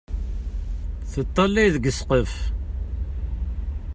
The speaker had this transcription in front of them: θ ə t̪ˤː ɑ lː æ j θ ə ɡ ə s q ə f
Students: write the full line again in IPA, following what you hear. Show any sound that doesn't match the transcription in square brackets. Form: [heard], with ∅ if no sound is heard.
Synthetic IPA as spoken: θ ə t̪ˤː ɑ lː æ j [ð] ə ɡ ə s q ə f